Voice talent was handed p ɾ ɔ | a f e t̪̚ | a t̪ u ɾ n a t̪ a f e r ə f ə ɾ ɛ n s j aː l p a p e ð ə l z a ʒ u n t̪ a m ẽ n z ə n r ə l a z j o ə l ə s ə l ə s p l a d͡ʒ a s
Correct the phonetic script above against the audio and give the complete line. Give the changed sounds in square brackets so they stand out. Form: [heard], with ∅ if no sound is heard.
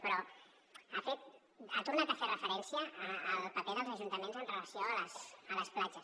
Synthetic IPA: p ɾ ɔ | a f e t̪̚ | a t̪ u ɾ n a t̪ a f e r ə f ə ɾ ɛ n s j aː l p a p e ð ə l z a ʒ u n t̪ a m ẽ n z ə n r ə l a [s] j o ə l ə s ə l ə s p l a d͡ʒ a s